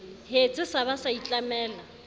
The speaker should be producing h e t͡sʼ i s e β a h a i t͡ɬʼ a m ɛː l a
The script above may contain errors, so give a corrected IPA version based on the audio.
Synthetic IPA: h e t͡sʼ ɪ s a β a s a i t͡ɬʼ a m ɛː l a